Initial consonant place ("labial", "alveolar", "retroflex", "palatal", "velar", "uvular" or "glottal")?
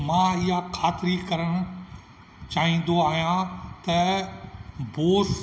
labial